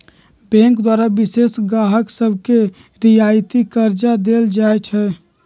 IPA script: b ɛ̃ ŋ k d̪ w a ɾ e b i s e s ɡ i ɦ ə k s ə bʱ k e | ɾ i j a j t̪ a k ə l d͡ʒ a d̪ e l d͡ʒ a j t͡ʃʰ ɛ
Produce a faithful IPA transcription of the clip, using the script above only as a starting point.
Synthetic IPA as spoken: b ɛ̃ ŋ k d̪ w a ɾ a b i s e s ɡ a ɦ ə k s ə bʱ k e | ɾ i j a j t̪ i k ə ɾ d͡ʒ a d̪ e l d͡ʒ a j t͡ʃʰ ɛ